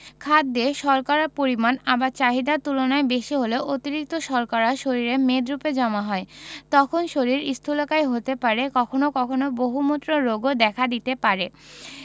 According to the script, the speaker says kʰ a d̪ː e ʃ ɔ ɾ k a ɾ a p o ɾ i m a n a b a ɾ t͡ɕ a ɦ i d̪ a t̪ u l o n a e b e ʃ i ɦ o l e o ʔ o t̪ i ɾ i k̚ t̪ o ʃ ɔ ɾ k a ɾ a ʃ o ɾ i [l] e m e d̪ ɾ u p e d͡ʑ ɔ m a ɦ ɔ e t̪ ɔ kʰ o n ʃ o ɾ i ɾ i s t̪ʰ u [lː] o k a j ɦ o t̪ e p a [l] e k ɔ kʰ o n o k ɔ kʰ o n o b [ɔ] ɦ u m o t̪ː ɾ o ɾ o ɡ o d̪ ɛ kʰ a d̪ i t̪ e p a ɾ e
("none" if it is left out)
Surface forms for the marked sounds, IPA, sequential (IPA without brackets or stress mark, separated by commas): ɾ, l, ɾ, o